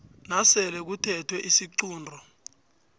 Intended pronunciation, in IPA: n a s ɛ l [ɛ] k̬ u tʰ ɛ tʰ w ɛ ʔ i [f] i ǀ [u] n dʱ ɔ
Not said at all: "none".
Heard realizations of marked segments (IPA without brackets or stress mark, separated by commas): ɛ, s, uː